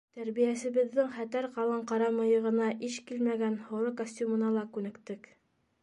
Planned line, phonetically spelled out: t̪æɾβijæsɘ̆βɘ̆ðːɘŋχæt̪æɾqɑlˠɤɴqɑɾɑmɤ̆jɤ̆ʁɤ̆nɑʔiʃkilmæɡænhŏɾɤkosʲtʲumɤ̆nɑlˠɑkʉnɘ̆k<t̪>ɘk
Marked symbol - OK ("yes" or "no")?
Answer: yes